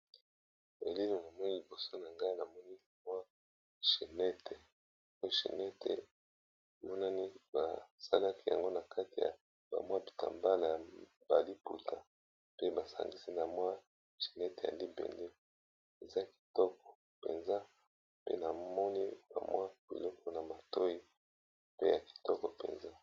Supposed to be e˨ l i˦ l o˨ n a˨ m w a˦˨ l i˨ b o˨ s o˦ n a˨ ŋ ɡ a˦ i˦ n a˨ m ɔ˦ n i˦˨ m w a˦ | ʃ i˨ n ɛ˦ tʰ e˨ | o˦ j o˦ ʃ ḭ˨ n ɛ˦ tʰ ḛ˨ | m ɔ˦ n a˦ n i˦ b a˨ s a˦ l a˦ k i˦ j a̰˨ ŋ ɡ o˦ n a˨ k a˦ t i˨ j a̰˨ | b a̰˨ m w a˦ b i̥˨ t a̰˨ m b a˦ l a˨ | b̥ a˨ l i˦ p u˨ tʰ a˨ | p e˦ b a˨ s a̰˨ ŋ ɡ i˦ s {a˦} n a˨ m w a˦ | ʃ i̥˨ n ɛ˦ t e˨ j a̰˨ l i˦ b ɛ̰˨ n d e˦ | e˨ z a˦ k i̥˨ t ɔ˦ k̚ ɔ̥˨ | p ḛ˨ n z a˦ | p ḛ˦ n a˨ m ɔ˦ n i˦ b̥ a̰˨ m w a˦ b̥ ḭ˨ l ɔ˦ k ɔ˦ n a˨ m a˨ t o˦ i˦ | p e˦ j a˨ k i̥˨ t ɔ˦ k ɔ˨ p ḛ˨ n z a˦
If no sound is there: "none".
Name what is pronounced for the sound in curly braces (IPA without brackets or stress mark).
i˦